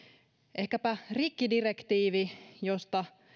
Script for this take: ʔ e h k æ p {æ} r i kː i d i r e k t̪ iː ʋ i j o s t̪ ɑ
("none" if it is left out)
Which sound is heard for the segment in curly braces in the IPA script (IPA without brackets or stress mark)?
æ